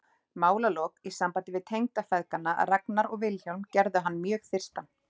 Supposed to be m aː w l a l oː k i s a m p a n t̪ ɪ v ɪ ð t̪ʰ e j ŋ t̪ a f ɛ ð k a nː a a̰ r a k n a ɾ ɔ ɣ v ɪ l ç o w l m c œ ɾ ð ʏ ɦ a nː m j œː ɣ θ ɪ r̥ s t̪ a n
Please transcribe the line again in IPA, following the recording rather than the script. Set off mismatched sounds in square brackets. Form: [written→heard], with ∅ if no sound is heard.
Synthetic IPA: m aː w l a l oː k i s a m p a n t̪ ɪ v ɪ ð t̪ʰ e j ŋ t̪ a f ɛ ð k a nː a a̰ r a k n a ɾ ɔ ɣ v ɪ l ç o w l m c [œ→ɛ] ɾ ð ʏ ɦ a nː m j œː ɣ θ ɪ r̥ s t̪ a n